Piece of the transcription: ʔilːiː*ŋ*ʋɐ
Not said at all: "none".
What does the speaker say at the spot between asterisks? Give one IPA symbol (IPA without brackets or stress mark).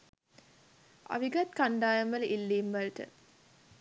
m